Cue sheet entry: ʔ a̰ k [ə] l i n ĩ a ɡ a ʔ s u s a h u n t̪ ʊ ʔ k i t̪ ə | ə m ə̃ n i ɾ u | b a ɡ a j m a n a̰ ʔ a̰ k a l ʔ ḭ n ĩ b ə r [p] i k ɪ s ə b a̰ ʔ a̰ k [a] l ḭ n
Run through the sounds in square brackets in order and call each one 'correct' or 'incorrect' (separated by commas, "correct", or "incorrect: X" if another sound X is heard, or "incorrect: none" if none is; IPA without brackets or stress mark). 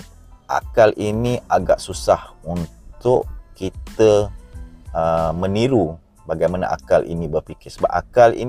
incorrect: a, correct, correct